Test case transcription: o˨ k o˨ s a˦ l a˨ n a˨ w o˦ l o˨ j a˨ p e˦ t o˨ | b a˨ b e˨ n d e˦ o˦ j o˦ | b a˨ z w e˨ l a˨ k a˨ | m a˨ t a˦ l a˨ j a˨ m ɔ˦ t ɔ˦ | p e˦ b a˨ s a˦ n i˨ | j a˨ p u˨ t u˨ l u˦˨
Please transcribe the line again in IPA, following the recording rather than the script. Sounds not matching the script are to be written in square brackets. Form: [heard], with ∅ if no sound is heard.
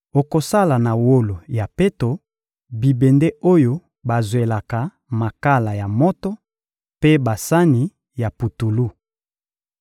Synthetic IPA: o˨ k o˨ s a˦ l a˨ n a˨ w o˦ l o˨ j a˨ p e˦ t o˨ | b [i˨] b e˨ n d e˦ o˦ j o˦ | b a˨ z w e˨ l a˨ k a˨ | m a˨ [k] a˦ l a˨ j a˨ m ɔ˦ t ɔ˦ | p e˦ b a˨ s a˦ n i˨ | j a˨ p u˨ t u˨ l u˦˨